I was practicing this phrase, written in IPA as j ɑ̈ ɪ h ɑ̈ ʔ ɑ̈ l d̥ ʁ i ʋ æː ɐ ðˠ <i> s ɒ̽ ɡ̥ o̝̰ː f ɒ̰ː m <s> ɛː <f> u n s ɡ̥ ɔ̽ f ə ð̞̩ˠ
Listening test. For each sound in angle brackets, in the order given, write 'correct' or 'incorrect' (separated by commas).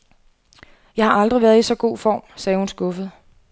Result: correct, correct, incorrect